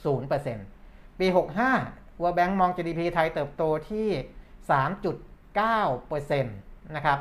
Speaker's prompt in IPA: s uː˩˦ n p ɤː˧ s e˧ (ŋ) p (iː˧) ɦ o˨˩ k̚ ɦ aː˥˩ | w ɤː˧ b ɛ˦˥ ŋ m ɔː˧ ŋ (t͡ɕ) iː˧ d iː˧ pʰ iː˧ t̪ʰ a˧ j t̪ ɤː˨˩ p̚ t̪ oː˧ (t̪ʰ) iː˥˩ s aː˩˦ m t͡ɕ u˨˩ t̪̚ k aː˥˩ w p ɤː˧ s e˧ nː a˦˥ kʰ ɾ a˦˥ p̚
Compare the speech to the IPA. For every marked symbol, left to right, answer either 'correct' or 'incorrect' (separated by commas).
incorrect, correct, correct, correct